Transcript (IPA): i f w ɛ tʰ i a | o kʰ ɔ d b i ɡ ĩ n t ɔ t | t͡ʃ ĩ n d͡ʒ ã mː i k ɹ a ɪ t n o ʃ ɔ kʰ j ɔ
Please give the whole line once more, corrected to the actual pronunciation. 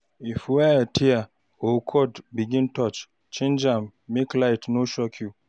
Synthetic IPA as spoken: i f w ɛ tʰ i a | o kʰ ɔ d b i ɡ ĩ n t ɔ t͡ʃ | t͡ʃ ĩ n d͡ʒ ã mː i k l a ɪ t n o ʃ ɔ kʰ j u